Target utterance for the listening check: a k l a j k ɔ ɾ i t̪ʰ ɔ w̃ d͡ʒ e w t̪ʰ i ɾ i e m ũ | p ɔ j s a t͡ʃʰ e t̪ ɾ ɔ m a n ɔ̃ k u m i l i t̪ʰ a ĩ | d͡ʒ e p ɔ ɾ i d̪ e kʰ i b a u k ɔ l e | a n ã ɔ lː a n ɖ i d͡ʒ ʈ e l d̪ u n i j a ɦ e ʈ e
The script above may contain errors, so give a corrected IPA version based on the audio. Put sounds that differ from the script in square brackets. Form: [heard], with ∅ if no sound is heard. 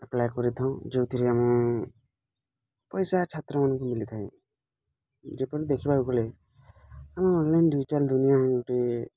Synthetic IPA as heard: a [p] l a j k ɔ ɾ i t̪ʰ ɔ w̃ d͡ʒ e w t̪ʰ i ɾ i [a] m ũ | p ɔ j s a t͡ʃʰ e t̪ ɾ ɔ m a n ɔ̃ k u m i l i t̪ʰ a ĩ | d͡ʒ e p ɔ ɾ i d̪ e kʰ i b a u k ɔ l e | a [m] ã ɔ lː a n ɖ i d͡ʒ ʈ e l d̪ u n i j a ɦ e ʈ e